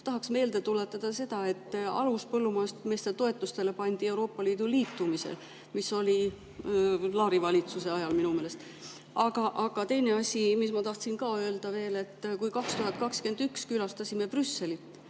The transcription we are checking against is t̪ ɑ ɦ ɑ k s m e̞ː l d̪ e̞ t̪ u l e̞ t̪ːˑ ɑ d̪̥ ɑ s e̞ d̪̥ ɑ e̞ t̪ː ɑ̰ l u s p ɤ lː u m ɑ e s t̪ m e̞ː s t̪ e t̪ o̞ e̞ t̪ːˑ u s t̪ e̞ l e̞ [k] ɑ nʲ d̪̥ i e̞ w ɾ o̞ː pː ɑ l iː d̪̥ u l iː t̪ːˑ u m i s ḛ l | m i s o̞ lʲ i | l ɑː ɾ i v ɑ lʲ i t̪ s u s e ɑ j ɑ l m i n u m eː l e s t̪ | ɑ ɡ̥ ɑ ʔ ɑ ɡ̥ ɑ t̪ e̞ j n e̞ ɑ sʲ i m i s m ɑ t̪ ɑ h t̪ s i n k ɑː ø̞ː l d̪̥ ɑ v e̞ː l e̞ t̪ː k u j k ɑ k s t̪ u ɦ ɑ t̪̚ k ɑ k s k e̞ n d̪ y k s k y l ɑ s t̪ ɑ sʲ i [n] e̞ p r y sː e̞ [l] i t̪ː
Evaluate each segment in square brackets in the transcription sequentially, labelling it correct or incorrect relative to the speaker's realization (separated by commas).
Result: incorrect, incorrect, correct